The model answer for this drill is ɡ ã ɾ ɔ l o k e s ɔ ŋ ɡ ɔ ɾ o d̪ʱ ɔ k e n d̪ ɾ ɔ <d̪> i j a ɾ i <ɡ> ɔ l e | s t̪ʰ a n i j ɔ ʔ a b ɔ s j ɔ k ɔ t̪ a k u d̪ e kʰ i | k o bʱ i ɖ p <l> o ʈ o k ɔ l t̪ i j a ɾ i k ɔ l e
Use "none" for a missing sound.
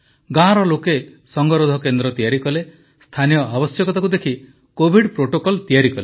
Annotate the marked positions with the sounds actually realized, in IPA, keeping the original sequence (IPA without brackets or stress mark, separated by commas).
t̪, k, ɾ